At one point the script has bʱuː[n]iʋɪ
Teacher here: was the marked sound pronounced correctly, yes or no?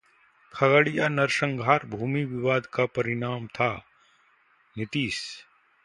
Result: no